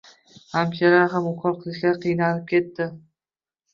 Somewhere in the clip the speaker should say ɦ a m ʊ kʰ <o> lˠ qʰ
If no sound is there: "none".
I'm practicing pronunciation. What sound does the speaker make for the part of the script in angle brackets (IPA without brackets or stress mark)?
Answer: ɒ